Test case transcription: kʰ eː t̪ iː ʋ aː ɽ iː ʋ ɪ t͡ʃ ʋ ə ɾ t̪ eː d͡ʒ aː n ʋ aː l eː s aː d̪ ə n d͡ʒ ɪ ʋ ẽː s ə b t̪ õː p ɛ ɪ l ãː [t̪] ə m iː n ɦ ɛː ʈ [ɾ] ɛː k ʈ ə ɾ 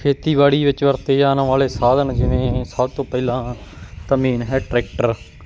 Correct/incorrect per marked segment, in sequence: correct, correct

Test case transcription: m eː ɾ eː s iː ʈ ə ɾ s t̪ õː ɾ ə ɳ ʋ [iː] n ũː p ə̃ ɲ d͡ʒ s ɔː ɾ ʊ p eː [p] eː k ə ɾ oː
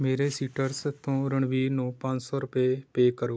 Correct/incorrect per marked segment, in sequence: correct, correct

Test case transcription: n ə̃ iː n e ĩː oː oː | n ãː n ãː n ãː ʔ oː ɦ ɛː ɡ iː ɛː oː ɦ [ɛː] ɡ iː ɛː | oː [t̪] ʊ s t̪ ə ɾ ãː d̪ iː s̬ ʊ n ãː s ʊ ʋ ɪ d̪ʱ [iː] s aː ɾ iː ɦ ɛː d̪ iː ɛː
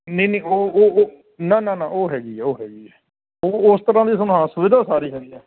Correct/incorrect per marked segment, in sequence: correct, incorrect: none, incorrect: aː

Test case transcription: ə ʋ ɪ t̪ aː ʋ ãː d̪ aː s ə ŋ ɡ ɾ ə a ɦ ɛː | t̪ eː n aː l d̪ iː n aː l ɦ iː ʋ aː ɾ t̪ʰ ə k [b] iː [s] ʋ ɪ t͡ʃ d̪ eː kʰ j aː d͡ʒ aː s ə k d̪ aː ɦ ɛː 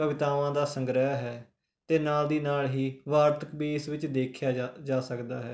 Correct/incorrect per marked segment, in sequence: correct, correct

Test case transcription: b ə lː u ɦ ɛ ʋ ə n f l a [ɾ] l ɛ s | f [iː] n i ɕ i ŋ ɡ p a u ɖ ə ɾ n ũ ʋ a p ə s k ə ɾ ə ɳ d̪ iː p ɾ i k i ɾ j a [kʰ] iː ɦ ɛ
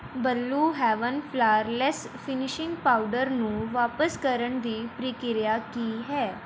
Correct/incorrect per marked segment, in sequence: correct, incorrect: i, incorrect: k

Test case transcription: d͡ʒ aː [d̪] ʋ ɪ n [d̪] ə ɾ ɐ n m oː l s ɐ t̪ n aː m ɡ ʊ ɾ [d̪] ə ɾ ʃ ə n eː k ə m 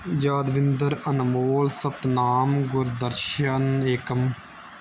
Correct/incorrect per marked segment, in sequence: correct, correct, correct

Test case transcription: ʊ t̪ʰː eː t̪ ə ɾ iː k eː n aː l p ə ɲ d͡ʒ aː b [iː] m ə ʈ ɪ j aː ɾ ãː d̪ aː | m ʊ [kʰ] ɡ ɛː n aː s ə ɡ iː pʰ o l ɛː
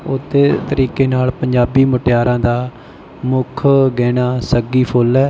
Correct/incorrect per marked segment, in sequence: correct, correct

